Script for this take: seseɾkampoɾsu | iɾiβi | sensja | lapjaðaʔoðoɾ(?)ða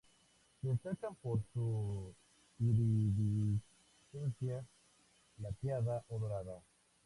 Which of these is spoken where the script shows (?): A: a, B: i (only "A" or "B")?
A